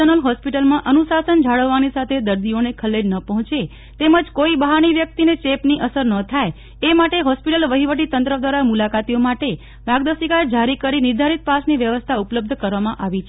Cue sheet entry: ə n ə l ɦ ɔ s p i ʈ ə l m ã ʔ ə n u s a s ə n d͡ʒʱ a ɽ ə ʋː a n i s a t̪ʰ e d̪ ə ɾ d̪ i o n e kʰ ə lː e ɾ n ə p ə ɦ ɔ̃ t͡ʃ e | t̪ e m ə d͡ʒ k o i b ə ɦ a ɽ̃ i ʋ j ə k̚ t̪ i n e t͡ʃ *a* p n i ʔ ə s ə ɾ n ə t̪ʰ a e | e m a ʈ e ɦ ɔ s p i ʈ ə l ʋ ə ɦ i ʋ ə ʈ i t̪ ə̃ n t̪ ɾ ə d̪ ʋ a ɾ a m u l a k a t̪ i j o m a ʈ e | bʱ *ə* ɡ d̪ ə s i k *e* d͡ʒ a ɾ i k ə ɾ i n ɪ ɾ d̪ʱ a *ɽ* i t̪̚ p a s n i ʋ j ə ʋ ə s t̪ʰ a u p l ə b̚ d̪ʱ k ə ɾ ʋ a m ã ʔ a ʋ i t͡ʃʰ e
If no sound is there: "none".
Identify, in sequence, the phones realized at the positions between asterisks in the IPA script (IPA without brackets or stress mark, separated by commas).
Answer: e, a, a, ɾ